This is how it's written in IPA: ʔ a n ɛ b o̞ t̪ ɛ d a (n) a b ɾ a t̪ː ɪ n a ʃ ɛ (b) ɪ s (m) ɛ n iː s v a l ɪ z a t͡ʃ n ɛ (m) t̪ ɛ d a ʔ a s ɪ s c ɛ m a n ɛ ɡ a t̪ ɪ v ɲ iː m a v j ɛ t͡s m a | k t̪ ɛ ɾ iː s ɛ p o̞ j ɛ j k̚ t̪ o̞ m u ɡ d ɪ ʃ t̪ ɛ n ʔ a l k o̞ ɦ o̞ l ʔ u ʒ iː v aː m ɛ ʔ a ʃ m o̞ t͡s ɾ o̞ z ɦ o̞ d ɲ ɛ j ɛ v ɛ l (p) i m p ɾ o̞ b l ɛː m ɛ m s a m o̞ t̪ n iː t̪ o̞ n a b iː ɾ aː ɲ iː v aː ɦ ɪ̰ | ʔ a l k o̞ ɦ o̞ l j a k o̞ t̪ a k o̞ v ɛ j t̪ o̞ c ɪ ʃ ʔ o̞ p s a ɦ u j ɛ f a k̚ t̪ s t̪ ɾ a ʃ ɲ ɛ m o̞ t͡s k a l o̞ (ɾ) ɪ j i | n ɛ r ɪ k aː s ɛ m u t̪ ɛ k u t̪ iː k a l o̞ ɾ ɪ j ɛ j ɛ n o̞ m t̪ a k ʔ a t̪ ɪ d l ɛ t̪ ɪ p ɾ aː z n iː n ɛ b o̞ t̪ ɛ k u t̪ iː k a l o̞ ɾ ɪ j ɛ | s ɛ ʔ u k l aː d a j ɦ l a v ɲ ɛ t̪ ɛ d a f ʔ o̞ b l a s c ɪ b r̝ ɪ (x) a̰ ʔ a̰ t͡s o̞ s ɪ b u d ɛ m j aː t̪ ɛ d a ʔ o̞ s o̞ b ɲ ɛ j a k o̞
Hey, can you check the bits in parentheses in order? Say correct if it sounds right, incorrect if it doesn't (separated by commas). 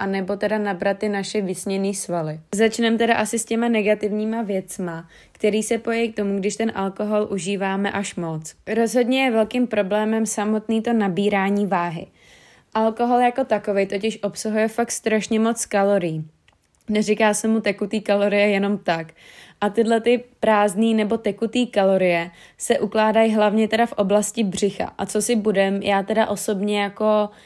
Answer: correct, incorrect, incorrect, correct, incorrect, correct, correct